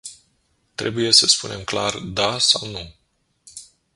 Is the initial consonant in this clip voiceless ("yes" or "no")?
yes